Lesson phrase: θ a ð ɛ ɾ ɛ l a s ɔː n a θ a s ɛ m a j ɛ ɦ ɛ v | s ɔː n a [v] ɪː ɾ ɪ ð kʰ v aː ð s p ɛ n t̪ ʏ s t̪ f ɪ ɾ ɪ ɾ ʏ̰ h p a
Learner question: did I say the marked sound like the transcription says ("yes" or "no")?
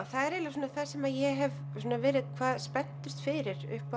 yes